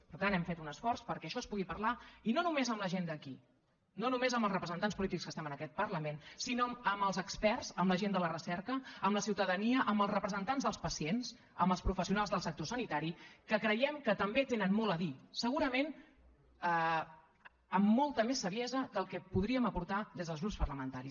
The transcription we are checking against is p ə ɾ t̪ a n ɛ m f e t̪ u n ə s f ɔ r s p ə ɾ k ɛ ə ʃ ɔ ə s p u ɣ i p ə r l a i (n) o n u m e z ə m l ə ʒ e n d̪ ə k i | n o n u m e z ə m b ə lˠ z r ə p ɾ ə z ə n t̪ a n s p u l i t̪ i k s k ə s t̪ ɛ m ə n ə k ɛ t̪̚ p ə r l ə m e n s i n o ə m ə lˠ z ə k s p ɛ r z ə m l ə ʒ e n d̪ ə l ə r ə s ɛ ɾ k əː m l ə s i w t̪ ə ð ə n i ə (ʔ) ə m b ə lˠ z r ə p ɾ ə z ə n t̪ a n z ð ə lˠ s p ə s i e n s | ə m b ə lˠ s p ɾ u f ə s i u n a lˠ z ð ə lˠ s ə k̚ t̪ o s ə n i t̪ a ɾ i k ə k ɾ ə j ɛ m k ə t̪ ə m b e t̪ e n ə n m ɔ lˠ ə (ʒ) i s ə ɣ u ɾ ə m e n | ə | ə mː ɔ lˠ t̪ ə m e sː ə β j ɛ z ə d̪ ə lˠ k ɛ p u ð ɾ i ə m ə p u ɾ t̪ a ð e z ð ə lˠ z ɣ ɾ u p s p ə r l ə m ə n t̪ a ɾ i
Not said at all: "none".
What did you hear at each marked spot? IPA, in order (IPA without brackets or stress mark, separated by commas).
n, ʔ, ð